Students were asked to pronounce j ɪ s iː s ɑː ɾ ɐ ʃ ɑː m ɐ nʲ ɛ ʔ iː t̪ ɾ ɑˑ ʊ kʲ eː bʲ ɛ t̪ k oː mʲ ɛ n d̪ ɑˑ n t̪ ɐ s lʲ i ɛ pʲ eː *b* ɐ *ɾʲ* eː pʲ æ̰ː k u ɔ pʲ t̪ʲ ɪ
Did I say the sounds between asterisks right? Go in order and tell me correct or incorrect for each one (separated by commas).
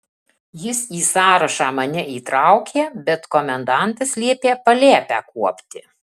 incorrect, incorrect